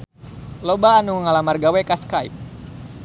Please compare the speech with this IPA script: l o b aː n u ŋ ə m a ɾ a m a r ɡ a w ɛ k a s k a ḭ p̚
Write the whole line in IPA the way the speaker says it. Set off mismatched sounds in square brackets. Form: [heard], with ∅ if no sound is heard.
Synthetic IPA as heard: l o b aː n u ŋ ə [ŋ] a [l] a m a r ɡ a w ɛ k a s k a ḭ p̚